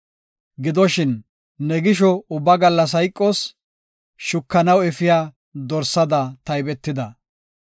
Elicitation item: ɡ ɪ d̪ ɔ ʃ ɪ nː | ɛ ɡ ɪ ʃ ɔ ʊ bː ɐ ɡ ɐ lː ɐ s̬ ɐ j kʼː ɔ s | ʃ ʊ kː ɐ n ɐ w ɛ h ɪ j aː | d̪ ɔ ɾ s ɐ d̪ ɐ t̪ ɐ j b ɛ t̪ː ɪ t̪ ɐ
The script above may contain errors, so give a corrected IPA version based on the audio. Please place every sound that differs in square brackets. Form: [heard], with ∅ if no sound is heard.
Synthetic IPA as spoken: ɡ ɪ d̪ ɔ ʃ ɪ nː | ɛ ɡ ɪ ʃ ɔ ʊ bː ɐ ɡ ɐ lː ɐ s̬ ɐ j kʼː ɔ s | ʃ ʊ kː ɐ n ɐ w ɛ [f] ɪ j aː | d̪ ɔ ɾ s ɐ d̪ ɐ t̪ ɐ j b ɛ t̪ː ɪ [d̪] ɐ

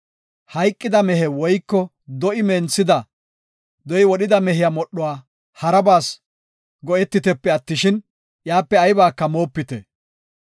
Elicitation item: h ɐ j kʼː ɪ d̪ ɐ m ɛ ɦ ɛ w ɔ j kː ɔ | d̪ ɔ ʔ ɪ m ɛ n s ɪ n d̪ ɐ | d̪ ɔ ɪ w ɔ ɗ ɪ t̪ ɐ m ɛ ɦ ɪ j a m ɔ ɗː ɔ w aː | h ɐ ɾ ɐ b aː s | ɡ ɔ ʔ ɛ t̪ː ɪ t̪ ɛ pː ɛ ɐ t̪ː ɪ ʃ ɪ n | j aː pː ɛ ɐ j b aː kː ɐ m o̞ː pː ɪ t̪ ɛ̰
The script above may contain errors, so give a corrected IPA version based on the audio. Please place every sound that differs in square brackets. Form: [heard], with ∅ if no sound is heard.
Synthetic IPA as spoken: h ɐ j kʼː ɪ d̪ ɐ m ɛ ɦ ɛ w ɔ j kː ɔ | d̪ ɔ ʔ ɪ m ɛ n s ɪ [∅] d̪ ɐ | d̪ ɔ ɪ w ɔ ɗ ɪ [d̪] ɐ m ɛ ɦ ɪ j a m ɔ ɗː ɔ w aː | h ɐ ɾ ɐ b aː s | ɡ ɔ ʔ ɛ t̪ː ɪ t̪ ɛ pː ɛ ɐ t̪ː ɪ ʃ ɪ n | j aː pː ɛ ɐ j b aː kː ɐ m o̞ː pː ɪ t̪ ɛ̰

